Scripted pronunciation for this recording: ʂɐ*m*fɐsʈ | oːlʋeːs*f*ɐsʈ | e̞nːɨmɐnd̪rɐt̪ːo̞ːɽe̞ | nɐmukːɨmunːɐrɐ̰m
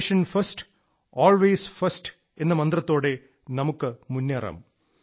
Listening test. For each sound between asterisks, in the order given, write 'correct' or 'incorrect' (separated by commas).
incorrect, correct